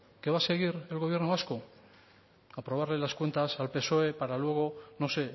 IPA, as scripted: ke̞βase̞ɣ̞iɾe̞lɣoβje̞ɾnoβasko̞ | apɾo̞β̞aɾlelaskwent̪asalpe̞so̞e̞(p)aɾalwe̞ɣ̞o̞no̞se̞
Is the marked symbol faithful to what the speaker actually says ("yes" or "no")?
yes